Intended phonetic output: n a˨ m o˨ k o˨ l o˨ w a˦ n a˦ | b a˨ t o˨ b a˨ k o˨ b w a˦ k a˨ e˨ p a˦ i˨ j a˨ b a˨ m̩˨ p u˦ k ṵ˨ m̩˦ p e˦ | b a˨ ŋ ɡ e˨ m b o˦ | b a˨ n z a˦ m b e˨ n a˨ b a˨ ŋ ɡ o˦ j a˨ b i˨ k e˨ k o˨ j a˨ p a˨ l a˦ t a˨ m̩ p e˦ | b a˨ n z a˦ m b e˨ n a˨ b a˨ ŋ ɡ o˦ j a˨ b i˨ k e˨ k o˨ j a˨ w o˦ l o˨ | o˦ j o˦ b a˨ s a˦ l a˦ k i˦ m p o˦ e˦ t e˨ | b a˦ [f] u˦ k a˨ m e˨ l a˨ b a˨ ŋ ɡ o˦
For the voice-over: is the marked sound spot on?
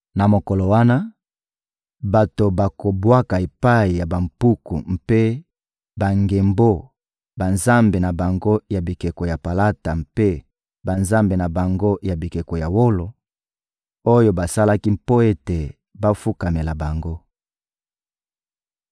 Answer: yes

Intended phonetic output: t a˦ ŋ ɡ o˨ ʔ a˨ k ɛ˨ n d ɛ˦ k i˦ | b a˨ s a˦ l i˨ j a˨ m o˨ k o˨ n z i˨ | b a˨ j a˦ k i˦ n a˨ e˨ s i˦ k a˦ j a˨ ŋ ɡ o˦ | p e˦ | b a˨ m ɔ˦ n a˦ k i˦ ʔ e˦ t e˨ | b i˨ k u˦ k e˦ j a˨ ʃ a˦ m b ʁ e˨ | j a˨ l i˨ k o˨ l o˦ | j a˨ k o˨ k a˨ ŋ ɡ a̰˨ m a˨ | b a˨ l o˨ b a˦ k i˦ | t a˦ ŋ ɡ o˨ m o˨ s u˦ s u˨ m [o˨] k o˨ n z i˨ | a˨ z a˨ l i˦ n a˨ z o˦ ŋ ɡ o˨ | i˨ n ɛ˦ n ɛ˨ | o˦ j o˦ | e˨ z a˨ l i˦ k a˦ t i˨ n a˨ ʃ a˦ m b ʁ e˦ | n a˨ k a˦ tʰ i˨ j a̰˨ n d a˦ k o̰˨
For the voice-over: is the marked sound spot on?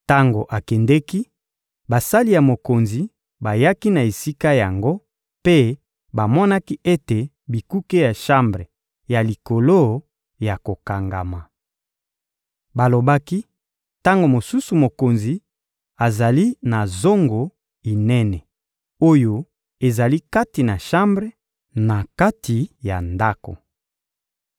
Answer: yes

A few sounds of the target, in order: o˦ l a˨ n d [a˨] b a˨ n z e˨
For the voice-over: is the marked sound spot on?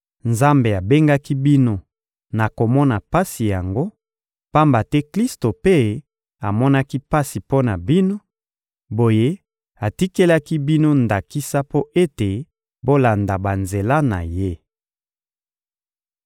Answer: yes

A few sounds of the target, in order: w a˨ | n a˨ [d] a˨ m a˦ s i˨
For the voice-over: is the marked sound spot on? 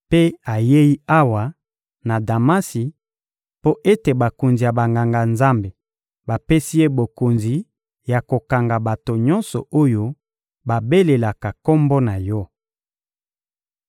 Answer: yes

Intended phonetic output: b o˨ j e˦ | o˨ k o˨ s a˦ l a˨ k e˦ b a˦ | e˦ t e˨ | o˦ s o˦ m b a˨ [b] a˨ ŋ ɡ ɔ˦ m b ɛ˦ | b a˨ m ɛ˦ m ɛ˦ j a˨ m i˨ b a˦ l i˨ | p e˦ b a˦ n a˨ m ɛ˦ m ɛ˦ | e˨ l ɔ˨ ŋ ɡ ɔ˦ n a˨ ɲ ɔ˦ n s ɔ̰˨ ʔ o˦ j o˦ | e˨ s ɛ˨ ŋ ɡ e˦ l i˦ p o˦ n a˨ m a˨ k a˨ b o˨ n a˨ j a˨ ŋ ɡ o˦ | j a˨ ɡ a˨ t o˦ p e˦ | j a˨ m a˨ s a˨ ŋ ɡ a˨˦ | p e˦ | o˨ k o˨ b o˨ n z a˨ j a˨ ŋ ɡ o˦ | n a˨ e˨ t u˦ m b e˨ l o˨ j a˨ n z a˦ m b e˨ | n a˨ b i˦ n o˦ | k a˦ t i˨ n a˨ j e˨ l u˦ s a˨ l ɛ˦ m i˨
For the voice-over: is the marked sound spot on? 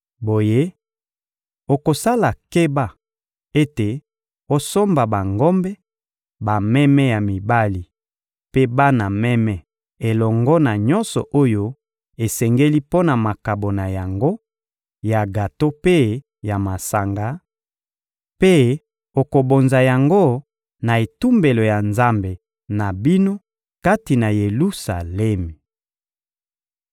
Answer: yes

